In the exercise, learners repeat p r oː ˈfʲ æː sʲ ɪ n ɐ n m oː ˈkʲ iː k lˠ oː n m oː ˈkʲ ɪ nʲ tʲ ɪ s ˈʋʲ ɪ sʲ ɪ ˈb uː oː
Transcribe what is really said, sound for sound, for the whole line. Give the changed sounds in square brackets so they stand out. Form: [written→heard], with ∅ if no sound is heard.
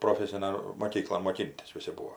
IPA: p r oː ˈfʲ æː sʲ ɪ n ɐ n m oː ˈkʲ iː k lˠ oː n m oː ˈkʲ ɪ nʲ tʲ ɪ s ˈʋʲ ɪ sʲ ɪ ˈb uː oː